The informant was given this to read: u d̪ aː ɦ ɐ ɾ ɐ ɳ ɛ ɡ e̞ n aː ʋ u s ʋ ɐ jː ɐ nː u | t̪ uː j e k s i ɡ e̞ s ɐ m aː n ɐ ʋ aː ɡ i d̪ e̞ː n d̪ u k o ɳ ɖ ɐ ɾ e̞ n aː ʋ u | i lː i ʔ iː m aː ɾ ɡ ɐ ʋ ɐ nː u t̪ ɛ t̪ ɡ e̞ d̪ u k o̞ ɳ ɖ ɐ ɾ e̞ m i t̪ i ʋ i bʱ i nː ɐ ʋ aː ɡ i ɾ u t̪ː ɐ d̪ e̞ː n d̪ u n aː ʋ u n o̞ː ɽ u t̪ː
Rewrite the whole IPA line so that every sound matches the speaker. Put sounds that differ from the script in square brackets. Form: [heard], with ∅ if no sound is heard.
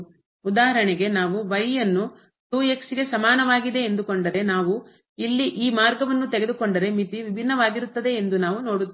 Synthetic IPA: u d̪ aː ɦ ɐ ɾ ɐ ɳ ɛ ɡ e̞ n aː ʋ u [∅] ʋ ɐ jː ɐ nː u | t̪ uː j e k s i ɡ e̞ s ɐ m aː n ɐ ʋ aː ɡ i d̪ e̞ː n d̪ u k o ɳ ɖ ɐ ɾ e̞ n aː ʋ u | i lː i ʔ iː m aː ɾ ɡ ɐ ʋ ɐ nː u t̪ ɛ [∅] ɡ e̞ d̪ u k o̞ ɳ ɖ ɐ ɾ e̞ m i t̪ i ʋ i bʱ i nː ɐ ʋ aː ɡ i ɾ u t̪ː ɐ d̪ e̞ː n d̪ u n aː ʋ u n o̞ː ɽ u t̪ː